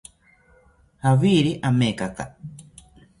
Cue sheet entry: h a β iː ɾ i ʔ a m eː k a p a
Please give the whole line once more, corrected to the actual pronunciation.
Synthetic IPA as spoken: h a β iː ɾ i ʔ a m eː k a k a